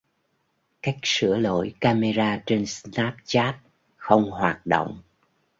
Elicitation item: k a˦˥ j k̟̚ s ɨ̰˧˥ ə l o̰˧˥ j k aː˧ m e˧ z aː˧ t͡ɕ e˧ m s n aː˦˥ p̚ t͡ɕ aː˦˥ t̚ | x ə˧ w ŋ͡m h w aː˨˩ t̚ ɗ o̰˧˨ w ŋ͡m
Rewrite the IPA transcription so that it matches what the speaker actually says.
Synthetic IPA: k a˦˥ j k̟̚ s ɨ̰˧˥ ə l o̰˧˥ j k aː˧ m e˧ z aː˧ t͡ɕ e˧ n s n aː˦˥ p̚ t͡ɕ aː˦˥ t̚ | x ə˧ w ŋ͡m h w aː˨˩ t̚ ɗ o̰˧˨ w ŋ͡m